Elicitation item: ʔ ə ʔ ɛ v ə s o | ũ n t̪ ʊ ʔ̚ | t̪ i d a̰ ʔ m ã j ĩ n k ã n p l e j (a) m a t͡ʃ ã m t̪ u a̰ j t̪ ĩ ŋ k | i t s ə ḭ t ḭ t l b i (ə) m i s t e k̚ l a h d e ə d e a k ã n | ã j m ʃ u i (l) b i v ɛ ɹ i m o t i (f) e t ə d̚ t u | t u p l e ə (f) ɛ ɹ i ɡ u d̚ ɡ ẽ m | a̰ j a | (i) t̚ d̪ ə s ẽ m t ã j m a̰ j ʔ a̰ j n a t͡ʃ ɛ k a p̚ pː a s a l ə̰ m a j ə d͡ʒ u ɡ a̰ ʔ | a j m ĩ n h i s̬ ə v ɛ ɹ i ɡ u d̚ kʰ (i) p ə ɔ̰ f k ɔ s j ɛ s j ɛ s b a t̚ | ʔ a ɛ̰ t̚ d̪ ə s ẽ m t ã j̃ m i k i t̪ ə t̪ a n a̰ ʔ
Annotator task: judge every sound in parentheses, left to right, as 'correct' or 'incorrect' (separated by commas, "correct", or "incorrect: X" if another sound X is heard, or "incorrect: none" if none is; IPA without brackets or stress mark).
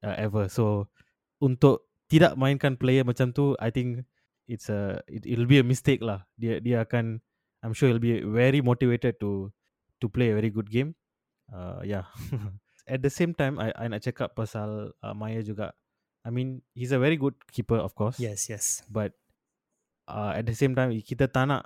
incorrect: ə, correct, correct, incorrect: v, incorrect: v, incorrect: ɛ, correct